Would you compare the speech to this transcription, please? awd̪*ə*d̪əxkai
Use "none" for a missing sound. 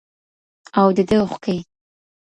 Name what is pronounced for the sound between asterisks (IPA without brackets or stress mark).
ə